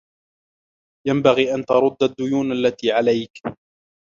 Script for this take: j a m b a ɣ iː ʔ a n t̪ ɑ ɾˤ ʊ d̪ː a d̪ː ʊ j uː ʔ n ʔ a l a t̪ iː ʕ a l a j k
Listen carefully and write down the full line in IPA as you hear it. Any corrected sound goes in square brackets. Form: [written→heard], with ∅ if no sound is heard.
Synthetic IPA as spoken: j a m b a ɣ iː ʔ a n t̪ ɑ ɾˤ ʊ d̪ː a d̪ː ʊ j uː [ʔ→∅] n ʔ a [l→lː] a t̪ iː ʕ a l a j k